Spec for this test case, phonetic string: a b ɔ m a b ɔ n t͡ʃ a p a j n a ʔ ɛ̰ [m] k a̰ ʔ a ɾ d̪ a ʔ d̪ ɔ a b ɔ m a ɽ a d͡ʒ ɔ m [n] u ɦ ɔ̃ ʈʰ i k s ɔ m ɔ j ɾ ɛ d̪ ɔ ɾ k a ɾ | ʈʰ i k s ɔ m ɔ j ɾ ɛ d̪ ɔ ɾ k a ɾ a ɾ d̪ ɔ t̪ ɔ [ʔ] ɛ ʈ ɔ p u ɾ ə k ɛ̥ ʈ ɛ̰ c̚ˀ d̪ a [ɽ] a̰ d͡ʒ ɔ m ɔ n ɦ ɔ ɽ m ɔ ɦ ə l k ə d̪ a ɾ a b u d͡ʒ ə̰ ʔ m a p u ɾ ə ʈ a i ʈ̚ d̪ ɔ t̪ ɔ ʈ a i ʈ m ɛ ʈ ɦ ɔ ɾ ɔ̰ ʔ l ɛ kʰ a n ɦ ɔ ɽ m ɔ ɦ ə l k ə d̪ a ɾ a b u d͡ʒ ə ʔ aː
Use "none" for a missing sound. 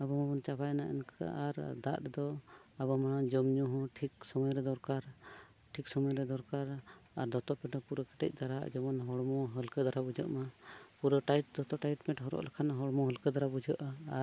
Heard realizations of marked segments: n, ɲ, p, ɾ

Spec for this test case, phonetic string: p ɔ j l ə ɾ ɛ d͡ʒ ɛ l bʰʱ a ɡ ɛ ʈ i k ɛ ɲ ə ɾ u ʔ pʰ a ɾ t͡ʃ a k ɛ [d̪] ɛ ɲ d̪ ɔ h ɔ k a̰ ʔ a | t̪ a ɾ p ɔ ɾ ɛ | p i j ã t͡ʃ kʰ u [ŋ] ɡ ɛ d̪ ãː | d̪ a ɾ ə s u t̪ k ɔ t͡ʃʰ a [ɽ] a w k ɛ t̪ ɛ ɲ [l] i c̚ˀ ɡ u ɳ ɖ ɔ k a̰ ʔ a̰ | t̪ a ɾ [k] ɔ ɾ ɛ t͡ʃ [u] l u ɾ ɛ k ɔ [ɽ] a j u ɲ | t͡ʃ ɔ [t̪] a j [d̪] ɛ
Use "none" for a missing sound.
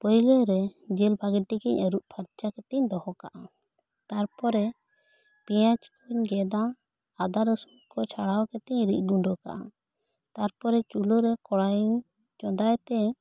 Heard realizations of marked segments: t̪, ɲ, ɽ, ɾ, p, u, ɽ, d̪, t̪

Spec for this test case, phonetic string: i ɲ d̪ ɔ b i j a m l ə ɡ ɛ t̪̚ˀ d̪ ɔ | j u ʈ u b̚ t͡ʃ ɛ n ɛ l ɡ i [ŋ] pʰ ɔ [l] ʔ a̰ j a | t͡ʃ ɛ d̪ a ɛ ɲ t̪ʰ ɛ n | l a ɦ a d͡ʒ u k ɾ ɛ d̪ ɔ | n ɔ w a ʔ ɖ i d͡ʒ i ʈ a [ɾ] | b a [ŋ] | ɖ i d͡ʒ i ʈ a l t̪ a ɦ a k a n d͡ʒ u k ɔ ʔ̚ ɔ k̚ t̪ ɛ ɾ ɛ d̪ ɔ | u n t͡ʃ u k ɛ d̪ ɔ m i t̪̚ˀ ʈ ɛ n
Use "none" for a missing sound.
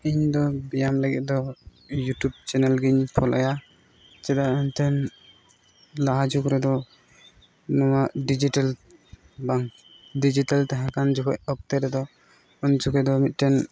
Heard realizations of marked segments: ɲ, l, l, ŋ

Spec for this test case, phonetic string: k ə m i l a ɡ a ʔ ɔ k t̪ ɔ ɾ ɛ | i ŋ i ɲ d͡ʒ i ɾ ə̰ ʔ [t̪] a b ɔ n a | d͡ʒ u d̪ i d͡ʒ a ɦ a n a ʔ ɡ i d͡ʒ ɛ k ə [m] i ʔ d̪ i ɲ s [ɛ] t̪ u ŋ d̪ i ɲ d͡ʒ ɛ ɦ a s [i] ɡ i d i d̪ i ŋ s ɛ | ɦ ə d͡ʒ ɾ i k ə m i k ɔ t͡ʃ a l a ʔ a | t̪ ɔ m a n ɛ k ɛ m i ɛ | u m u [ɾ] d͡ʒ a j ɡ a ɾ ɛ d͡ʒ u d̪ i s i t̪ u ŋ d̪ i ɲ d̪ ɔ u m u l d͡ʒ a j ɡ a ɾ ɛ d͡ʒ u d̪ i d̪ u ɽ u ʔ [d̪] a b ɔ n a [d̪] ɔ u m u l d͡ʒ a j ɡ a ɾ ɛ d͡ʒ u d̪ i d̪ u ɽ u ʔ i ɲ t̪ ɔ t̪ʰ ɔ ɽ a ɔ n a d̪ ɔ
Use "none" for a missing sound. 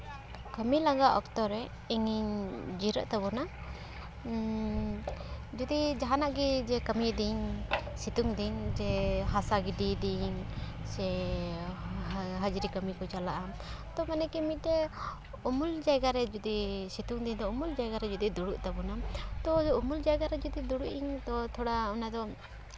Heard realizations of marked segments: t̪, m, i, a, l, t̪, t̪

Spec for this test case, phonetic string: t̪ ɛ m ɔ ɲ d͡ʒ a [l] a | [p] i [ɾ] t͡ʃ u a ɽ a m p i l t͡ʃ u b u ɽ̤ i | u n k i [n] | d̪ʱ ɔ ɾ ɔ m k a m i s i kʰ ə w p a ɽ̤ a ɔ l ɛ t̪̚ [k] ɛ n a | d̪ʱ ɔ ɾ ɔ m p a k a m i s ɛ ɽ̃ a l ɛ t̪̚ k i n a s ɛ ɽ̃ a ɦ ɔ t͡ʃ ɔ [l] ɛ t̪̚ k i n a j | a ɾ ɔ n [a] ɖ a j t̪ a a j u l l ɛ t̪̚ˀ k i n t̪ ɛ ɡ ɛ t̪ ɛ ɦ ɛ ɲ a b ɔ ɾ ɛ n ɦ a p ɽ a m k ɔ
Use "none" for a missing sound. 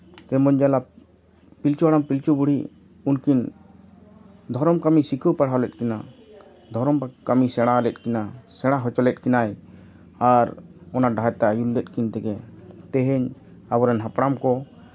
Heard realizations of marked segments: l, p, l, n, k, l, a

